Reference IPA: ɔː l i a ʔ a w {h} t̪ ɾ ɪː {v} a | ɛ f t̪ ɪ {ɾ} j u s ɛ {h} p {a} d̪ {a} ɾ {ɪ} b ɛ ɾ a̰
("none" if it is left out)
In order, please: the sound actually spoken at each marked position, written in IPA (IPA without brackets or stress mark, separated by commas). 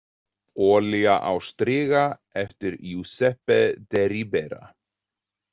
s, ɣ, ɾ, h, ɛ, ɛ, i